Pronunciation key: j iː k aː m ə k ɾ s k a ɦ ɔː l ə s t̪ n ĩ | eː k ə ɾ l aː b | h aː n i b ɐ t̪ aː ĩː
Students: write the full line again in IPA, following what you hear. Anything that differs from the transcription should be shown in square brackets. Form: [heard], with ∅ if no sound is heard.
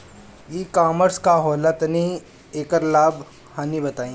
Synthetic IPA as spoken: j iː k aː m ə [∅] ɾ s k a ɦ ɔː l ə [∅] t̪ n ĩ | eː k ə ɾ l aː b | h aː n i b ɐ t̪ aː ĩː